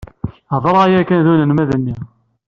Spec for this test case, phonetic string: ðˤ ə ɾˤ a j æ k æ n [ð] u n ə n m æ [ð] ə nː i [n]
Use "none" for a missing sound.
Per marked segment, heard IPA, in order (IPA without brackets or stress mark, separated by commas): ð, ð, none